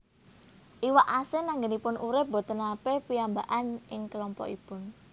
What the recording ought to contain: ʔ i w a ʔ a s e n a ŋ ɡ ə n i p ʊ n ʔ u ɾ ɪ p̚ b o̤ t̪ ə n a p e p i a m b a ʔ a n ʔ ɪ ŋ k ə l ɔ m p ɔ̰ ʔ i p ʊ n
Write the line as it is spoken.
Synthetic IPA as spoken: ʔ i w a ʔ a s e n a ŋ ɡ ə n i p ʊ n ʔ u ɾ ɪ p̚ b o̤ t̪ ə n a p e p i a m b a ʔ a n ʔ ɪ ŋ k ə l ɔ m p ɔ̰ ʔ i p ʊ n